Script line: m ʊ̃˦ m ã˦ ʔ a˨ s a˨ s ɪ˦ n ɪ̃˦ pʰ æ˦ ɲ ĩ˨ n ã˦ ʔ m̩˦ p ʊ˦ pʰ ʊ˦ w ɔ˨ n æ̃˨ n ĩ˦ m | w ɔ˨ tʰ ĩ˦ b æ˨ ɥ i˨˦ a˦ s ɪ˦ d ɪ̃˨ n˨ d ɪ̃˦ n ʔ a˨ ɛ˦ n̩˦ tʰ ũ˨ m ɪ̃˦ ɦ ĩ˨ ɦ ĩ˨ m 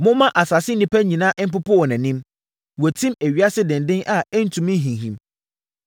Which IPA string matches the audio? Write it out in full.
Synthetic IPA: m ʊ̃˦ m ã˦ ʔ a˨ s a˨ s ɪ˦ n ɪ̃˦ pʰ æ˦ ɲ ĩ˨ n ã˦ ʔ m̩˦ p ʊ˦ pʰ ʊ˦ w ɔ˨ n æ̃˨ n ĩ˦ m | w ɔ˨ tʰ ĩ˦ m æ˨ ɥ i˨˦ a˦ s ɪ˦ d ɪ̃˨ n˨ d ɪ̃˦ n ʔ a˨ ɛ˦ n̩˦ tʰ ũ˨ m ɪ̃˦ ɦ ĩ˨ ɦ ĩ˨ m